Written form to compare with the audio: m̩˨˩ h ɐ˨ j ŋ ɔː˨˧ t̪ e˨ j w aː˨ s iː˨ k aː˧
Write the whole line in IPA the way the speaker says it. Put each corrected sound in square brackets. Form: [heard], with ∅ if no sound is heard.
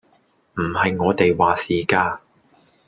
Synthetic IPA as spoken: m̩˨˩ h ɐ˨ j ŋ ɔː˨˧ t̪ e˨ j w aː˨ s iː˨ k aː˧